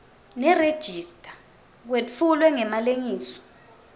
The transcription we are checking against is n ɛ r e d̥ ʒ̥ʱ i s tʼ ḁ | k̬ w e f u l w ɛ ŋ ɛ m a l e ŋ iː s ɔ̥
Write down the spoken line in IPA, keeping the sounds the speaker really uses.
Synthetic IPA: n ɛ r e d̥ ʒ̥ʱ i s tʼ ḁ | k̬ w e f u l w ɛ ŋ ɛ m a l e ŋ iː s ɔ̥